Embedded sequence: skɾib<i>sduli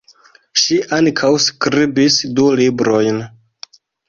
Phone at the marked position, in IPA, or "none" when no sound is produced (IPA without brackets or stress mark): i